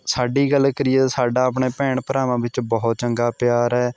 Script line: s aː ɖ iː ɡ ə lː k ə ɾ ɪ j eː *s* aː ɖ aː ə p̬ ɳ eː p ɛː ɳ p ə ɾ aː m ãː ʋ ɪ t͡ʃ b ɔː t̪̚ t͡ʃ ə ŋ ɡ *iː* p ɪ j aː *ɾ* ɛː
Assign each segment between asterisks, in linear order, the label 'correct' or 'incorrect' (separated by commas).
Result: correct, incorrect, correct